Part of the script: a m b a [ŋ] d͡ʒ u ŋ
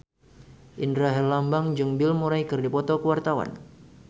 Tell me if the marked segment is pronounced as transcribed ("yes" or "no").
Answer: yes